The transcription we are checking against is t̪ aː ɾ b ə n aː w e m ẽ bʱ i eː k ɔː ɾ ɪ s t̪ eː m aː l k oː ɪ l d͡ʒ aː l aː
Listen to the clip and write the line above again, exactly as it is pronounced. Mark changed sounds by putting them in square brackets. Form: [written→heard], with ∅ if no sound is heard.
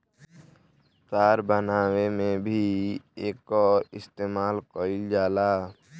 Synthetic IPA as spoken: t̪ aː ɾ b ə n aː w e m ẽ bʱ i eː k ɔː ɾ ɪ s t̪ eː m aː l k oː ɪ l d͡ʒ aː l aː